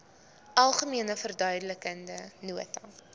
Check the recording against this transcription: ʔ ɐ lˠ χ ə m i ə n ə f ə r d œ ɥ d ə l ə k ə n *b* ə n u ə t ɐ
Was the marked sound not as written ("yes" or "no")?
yes